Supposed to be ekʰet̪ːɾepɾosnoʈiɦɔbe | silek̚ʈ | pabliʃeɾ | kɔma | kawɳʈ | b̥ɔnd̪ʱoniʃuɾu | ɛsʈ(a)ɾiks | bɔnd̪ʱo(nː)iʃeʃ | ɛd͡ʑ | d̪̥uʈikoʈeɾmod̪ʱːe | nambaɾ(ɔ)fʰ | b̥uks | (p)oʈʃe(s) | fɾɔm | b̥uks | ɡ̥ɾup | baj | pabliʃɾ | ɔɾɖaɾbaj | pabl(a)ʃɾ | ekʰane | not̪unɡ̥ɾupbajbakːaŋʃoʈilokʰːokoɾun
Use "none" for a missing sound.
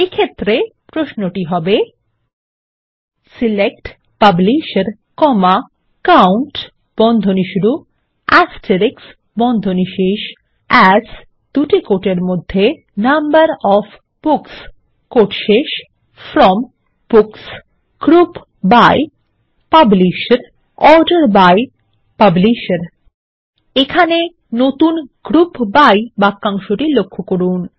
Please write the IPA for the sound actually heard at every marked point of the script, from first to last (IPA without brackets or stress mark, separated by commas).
e, n, ɔ, k, ʃ, i